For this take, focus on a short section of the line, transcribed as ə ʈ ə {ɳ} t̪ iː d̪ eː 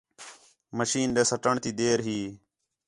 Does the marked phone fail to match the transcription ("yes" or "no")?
no